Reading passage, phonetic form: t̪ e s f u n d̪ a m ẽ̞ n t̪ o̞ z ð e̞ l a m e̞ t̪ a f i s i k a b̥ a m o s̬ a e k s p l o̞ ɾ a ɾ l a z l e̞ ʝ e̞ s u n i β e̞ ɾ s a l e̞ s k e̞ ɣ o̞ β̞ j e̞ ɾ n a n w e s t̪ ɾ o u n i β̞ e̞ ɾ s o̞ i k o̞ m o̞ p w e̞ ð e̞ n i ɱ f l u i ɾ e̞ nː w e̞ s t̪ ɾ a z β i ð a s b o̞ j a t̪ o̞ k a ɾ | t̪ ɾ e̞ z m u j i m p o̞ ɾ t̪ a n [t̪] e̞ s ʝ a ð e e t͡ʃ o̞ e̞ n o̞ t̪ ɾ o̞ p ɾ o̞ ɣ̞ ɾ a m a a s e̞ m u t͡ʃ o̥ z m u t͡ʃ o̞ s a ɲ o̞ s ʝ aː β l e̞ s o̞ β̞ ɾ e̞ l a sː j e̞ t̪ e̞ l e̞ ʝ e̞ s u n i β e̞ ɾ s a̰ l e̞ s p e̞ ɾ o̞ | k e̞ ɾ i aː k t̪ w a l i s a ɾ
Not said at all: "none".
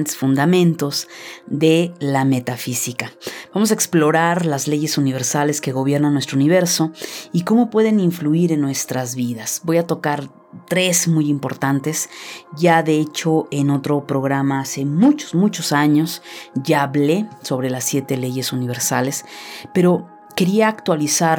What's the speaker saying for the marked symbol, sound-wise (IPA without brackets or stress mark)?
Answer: t̪